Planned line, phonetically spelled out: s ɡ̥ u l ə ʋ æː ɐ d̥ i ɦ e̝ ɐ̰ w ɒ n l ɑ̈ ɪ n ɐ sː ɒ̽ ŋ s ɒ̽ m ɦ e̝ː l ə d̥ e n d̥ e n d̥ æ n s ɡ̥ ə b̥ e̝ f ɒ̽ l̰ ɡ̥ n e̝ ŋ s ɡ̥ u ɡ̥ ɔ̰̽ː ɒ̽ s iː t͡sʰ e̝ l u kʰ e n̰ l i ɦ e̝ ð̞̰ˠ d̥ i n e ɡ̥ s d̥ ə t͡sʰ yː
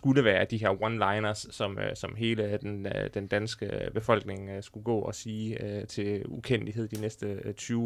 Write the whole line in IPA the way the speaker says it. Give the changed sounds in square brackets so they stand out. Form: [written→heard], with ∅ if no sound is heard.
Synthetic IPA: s ɡ̥ u l ə ʋ æː ɐ d̥ i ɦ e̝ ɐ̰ w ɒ n l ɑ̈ ɪ n ɐ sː ɒ̽ [ŋ→m] s ɒ̽ m ɦ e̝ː l ə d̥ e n d̥ e n d̥ æ n s ɡ̥ ə b̥ e̝ f ɒ̽ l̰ ɡ̥ n e̝ ŋ s ɡ̥ u ɡ̥ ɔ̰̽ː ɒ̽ s iː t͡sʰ e̝ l u kʰ e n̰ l i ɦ e̝ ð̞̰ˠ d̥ i n e [ɡ̥→∅] s d̥ ə t͡sʰ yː